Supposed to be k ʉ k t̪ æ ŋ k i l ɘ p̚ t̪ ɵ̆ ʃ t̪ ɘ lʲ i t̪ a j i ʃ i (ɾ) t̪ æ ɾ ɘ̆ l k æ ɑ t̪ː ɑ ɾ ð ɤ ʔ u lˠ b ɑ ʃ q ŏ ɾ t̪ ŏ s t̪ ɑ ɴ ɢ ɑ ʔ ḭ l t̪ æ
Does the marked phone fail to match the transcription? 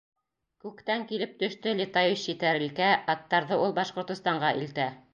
yes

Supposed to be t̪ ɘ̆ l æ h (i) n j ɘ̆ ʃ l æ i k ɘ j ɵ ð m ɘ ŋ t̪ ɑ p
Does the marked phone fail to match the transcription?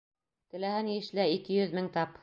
yes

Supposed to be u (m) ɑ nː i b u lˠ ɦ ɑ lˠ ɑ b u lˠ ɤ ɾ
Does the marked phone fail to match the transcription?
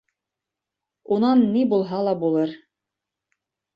yes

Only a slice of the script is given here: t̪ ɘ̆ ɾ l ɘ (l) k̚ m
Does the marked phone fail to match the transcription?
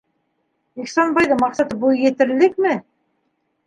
yes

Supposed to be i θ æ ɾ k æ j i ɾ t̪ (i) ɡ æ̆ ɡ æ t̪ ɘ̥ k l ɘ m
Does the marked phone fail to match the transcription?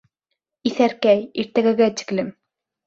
yes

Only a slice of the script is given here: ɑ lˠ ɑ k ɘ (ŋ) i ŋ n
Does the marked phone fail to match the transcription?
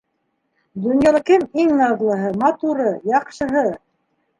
yes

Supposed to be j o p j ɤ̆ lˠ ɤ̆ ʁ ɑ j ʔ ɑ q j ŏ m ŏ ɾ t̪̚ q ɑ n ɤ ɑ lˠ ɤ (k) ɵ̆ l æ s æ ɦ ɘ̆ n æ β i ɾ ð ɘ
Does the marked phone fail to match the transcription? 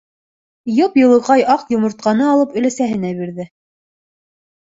yes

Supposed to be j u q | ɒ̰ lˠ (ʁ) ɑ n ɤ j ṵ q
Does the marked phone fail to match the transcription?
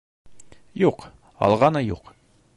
no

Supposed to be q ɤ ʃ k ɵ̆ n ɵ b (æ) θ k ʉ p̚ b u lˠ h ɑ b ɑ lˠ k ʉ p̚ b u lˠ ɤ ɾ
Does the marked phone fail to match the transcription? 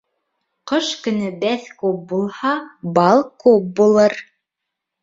no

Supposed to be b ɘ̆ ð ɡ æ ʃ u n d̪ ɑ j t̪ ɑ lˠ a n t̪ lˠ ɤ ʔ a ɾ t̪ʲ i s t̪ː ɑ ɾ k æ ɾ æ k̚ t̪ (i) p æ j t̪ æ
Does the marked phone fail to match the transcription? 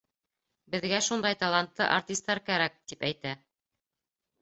no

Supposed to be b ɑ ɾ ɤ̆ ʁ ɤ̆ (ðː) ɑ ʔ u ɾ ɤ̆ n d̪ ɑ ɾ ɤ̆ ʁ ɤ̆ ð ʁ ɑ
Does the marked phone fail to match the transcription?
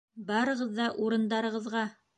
no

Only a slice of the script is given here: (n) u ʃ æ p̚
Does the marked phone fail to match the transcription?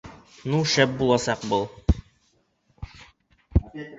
no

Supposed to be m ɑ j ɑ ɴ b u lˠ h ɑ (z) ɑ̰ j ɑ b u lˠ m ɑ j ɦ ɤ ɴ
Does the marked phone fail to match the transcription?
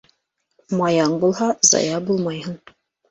no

